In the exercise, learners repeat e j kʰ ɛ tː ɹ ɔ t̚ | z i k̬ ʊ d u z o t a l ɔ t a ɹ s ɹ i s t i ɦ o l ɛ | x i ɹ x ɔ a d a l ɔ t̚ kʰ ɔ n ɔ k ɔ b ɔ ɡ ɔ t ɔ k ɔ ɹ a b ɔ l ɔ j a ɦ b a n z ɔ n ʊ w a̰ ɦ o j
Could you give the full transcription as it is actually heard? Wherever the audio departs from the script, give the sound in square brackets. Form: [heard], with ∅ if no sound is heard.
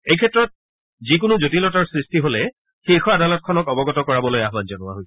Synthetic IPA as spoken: e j kʰ ɛ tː ɹ ɔ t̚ | z i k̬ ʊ [n] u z o t [i] l ɔ t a ɹ s ɹ i s t i ɦ o l ɛ | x i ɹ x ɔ a d a l ɔ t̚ kʰ ɔ n ɔ k ɔ b ɔ ɡ ɔ t ɔ k ɔ ɹ a b ɔ l [o] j a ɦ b a n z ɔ n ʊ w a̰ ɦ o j